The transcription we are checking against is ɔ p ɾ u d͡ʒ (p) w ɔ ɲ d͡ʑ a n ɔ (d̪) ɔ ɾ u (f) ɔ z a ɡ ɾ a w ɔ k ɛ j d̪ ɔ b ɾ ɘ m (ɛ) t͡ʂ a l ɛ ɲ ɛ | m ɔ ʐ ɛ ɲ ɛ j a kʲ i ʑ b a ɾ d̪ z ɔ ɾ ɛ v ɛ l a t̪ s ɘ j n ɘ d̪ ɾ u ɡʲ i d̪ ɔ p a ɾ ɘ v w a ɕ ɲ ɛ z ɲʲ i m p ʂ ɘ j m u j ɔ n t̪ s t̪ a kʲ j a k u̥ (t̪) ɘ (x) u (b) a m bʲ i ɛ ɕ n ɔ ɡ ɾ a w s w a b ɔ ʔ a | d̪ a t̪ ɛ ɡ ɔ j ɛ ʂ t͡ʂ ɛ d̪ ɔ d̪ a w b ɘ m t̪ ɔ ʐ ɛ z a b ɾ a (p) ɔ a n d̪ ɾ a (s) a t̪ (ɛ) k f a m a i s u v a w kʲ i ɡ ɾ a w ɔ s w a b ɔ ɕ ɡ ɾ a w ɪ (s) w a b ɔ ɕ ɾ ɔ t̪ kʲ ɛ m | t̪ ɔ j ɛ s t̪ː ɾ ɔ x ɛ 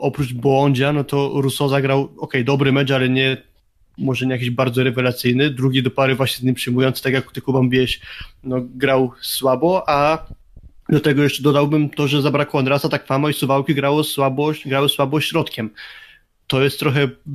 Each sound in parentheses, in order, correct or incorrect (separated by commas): incorrect, incorrect, incorrect, correct, correct, incorrect, correct, incorrect, correct, incorrect, correct